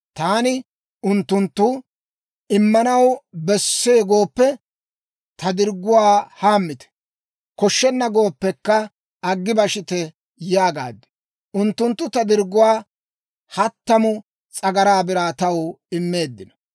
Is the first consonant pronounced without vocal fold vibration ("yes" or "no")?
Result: yes